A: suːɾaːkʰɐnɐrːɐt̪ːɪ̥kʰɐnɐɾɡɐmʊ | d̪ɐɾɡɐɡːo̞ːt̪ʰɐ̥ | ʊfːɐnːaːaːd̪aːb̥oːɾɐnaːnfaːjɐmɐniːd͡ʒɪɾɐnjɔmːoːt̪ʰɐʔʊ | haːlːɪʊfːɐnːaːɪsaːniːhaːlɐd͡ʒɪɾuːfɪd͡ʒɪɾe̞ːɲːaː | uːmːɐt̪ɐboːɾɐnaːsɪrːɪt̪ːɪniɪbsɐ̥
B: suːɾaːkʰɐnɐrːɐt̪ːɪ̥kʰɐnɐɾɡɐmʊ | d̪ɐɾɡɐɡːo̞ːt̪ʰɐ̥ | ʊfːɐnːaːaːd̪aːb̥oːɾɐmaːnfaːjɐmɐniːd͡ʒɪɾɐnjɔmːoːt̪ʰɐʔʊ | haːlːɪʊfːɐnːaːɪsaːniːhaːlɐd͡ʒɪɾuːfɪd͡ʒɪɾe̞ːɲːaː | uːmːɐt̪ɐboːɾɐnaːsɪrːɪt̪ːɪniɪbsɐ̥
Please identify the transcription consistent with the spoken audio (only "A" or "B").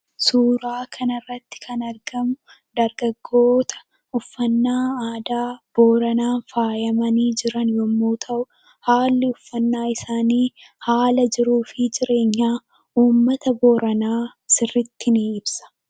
A